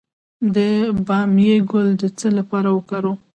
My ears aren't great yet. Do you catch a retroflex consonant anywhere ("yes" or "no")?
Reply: no